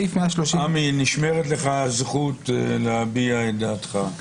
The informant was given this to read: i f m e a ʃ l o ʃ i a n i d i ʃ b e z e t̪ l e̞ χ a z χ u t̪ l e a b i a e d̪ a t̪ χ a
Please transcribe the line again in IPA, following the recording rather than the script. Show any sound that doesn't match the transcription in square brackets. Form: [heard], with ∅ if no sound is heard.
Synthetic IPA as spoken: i f m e a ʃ l o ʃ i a [m] i [n] i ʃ [m] e [ʁ] e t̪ l e̞ χ a z χ u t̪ l e a b i a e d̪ a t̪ χ a